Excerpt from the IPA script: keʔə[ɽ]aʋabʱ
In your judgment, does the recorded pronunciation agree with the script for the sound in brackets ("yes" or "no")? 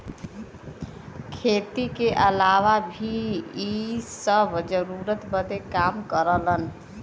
no